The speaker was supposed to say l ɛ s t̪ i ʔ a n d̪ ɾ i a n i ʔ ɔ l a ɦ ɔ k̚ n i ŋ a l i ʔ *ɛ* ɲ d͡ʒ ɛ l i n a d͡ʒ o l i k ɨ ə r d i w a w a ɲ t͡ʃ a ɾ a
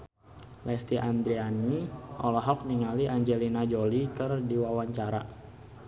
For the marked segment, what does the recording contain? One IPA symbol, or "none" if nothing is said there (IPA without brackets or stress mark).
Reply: a